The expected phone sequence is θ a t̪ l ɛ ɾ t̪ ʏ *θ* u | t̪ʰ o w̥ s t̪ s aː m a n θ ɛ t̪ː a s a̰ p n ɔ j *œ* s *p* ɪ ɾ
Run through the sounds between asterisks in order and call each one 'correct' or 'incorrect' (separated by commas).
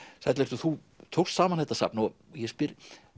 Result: correct, incorrect, correct